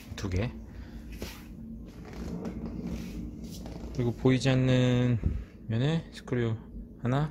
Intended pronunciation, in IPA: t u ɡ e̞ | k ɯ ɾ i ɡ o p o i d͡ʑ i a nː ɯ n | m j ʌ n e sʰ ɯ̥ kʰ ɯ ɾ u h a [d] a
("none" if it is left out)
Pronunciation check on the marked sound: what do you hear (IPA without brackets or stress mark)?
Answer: n